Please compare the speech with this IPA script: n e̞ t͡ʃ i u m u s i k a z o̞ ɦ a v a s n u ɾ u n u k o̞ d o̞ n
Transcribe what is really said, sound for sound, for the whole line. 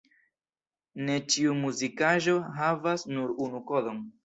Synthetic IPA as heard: n e̞ t͡ʃ i u m u z i k a ʒ o̞ ɦ a v a s n u ɾ u n u k o̞ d o̞ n